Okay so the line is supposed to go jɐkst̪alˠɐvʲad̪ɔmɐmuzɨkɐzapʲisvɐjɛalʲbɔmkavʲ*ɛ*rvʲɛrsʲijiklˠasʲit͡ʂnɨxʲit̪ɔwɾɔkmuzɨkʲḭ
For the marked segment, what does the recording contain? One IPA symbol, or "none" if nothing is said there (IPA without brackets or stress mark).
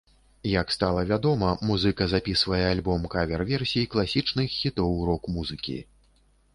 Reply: ɛ